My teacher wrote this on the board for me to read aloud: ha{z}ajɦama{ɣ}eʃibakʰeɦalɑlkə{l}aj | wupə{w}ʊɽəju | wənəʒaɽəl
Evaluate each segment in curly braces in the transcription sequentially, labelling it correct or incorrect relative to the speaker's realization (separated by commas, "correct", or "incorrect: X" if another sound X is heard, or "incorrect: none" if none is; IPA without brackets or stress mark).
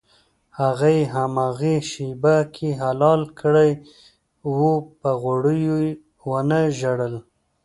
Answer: incorrect: ɣ, correct, incorrect: ɽ, incorrect: ɣ